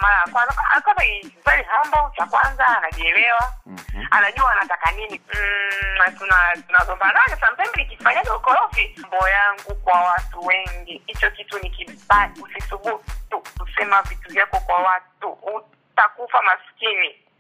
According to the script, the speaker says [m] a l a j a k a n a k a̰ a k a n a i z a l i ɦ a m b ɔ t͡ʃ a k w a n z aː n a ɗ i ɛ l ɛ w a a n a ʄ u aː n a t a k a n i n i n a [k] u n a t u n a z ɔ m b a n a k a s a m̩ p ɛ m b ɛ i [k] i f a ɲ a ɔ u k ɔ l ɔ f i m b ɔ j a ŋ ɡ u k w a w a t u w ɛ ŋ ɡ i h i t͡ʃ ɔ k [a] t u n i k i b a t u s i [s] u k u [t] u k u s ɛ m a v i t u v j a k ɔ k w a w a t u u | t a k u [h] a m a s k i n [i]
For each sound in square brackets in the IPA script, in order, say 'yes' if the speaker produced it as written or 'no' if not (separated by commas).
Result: yes, no, yes, no, yes, yes, no, yes